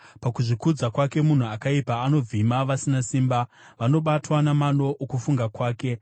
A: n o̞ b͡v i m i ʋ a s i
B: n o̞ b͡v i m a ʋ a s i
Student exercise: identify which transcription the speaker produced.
B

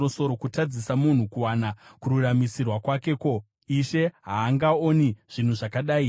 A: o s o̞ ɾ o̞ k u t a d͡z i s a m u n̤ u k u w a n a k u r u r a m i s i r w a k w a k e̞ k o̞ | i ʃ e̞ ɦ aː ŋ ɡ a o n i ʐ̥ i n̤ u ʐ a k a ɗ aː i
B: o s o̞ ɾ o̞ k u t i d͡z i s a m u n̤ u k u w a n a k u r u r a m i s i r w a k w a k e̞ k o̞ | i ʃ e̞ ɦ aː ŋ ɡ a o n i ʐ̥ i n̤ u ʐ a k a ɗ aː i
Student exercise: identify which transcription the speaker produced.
A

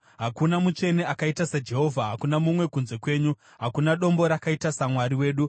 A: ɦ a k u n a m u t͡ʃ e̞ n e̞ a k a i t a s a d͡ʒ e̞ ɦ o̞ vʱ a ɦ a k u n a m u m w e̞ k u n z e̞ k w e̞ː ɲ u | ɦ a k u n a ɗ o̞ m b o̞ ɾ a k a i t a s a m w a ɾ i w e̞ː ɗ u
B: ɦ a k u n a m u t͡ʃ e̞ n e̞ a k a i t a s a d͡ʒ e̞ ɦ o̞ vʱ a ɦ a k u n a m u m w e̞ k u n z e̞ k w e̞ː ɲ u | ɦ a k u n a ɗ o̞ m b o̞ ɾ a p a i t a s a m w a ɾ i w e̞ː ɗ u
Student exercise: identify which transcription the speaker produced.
A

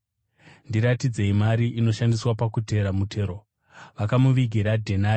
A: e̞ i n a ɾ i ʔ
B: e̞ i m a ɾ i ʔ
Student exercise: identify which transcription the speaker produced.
B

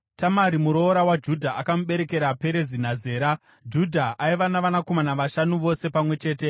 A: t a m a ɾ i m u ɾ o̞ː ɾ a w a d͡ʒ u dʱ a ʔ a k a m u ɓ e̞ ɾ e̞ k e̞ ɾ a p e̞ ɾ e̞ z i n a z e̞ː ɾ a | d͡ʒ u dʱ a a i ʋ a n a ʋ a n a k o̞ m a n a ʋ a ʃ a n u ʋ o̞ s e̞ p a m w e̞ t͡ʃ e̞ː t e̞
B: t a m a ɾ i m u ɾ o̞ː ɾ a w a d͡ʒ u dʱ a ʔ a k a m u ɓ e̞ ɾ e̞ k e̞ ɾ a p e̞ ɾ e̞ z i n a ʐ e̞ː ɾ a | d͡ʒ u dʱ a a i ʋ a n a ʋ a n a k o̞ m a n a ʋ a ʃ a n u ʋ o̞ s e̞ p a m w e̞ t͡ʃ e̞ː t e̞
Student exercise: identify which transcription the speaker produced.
A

